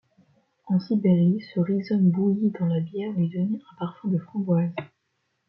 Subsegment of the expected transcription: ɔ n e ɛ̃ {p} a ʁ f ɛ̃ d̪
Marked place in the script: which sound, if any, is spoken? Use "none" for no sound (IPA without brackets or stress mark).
p